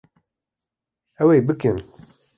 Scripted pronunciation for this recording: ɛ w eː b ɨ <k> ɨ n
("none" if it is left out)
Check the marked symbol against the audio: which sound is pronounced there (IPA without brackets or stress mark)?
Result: k